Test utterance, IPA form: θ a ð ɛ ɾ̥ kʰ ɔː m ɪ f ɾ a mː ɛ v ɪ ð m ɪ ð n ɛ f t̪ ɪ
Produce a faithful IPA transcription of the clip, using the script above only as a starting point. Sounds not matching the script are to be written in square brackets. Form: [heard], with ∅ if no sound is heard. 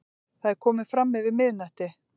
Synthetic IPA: θ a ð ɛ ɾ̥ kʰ ɔː m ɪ f ɾ a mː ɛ v ɪ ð m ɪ ð n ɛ [h] t̪ ɪ